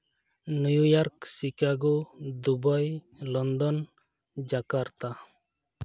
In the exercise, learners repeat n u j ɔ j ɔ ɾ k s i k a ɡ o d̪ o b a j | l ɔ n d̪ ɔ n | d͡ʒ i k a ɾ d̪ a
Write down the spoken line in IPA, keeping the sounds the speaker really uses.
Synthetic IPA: n u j u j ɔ ɾ k s i k a ɡ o d̪ u b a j | l ɔ n d̪ ɔ n | d͡ʒ a k a ɾ t̪ a